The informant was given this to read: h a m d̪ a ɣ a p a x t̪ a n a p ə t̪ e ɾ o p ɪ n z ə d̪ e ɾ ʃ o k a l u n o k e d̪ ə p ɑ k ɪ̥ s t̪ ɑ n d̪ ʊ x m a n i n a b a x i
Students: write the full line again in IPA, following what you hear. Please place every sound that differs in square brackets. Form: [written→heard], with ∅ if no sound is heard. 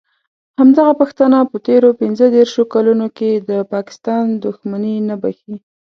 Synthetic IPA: h a m d̪ a ɣ a p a x t̪ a n a p ə t̪ e ɾ o p ɪ n z ə d̪ e ɾ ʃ o k a l u n o k e d̪ ə p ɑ k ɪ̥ s t̪ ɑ n d̪ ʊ x m a n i n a b a x i